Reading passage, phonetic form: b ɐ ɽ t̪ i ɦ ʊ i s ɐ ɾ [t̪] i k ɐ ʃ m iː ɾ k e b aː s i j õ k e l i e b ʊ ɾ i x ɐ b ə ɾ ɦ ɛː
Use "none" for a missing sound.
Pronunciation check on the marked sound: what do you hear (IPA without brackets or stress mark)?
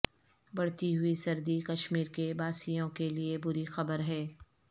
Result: d̪